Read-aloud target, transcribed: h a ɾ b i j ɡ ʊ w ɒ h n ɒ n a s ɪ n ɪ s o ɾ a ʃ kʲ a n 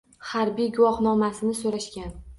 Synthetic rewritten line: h a ɾ b i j ɡ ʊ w ɒ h n ɒ m a s ɪ n ɪ s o ɾ a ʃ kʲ a n